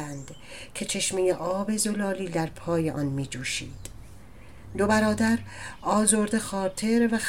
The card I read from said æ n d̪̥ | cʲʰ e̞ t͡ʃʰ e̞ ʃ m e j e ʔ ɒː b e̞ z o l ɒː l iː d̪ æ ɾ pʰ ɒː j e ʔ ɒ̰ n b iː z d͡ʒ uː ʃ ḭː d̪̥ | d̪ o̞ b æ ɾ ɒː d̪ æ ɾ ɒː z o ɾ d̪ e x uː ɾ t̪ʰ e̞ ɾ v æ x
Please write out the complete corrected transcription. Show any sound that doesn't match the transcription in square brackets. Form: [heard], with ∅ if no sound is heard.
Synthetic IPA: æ n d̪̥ | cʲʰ e̞ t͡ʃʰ e̞ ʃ m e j e ʔ ɒː b e̞ z o l ɒː l iː d̪ æ ɾ pʰ ɒː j e ʔ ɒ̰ n [m] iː [∅] d͡ʒ uː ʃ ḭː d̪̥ | d̪ o̞ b æ ɾ ɒː d̪ æ ɾ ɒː z o ɾ d̪ e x [ɒː] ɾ t̪ʰ e̞ ɾ v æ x